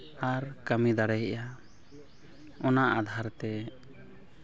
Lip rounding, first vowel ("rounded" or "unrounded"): unrounded